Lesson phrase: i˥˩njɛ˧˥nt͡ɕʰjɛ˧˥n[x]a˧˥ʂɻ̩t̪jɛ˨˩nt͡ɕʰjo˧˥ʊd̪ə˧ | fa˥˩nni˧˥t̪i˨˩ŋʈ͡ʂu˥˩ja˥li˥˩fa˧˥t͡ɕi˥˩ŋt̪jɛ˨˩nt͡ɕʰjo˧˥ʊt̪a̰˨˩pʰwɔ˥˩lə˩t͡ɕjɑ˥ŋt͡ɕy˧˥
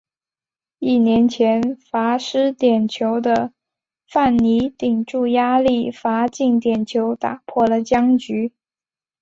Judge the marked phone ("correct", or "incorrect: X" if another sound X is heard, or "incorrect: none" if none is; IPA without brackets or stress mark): incorrect: f